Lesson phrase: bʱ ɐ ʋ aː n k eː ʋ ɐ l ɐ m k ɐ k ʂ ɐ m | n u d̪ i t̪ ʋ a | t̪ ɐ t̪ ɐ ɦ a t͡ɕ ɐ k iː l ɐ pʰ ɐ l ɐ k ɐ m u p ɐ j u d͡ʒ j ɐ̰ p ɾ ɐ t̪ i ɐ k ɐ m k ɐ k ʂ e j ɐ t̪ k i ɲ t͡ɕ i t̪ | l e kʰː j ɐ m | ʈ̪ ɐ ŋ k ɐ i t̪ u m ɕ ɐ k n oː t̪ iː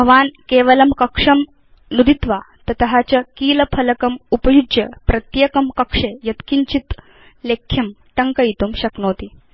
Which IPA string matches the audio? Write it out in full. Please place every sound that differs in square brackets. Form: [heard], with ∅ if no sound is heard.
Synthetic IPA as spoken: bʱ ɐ ʋ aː n k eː ʋ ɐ l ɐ m k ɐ k ʂ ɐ m | n u d̪ i t̪ ʋ a | t̪ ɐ t̪ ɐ ɦ a t͡ɕ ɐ k iː l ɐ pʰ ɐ l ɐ k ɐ m u p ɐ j u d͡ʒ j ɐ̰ p ɾ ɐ t̪ [j] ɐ k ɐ m k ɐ k ʂ e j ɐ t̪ k i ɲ t͡ɕ i t̪ | l e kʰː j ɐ m | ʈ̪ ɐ ŋ k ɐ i t̪ u m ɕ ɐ k n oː t̪ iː